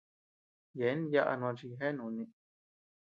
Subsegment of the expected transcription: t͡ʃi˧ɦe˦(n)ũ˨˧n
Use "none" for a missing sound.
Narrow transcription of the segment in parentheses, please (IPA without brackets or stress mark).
n